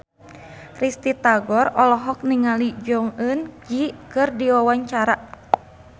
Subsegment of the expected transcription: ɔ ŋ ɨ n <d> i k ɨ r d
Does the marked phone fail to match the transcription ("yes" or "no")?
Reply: yes